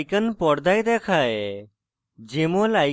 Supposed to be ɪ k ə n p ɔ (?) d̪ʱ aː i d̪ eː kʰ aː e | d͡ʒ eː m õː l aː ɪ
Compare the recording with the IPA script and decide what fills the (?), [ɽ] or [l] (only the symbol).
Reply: ɽ